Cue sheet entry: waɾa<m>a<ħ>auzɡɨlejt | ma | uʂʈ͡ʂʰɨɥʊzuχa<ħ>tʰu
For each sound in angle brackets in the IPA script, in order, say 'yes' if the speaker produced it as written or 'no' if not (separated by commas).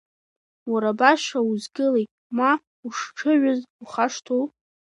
no, no, no